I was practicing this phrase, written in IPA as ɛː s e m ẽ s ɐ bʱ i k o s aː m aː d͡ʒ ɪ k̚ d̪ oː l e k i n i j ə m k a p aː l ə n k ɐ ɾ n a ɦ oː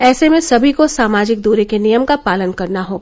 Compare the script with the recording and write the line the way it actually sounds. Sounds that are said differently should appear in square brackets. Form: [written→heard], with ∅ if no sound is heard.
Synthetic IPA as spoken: ɛː s e m ẽ s ɐ bʱ i k o s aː m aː d͡ʒ ɪ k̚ d̪ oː [l→ɾ] e k [i→e] n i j ə m k a p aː l ə n k ɐ ɾ n a ɦ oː